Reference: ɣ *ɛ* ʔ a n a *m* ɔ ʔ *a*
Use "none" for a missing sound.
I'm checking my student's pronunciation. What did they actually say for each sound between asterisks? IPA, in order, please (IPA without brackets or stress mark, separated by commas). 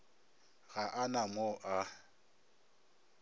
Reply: a, m, a